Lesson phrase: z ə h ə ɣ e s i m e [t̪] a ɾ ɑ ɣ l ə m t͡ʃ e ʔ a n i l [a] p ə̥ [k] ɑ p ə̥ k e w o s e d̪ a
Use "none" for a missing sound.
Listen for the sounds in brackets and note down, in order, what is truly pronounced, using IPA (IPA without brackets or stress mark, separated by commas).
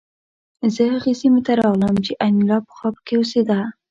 t̪, ɑ, x